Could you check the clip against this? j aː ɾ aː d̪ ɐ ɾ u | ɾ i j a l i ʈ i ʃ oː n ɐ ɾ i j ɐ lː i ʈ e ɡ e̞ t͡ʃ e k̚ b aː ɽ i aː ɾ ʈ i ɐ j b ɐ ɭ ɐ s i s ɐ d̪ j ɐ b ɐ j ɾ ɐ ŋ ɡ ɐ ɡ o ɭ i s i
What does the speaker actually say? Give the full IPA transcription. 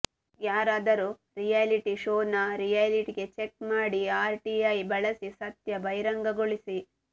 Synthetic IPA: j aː ɾ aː d̪ ɐ ɾ u | ɾ i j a l i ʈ i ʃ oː n ɐ ɾ i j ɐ l i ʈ i ɡ e̞ t͡ʃ e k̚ m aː ɽ i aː ɾ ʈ i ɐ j b ɐ ɭ ɐ s i s ɐ t̪ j ɐ b ɐ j ɾ ɐ ŋ ɡ ɐ ɡ o ɭ i s i